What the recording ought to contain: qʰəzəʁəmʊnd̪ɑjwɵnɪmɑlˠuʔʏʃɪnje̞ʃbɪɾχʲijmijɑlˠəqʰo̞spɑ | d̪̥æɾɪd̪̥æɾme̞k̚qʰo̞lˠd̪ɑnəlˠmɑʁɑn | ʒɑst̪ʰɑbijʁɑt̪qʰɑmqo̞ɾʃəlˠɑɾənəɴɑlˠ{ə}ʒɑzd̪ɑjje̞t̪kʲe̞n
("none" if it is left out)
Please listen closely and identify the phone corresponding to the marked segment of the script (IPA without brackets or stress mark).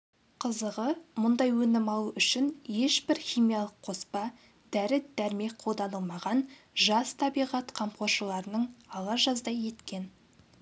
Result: ɑ